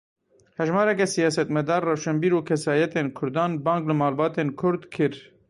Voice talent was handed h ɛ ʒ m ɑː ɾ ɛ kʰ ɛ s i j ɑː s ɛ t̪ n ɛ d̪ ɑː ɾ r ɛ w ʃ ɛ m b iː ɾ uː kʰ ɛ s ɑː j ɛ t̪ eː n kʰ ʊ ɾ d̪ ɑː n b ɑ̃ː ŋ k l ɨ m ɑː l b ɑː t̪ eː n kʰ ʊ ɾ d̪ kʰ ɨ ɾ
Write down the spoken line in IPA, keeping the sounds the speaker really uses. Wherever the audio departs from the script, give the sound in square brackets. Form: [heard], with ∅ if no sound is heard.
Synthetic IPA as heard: h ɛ ʒ m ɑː ɾ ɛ [k] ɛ s i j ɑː s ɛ t̪ [m] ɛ d̪ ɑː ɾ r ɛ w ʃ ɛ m b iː ɾ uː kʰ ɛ s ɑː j ɛ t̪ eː n kʰ ʊ ɾ d̪ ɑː n b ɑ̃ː ŋ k l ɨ m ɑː l b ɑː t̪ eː n kʰ ʊ ɾ d̪ kʰ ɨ ɾ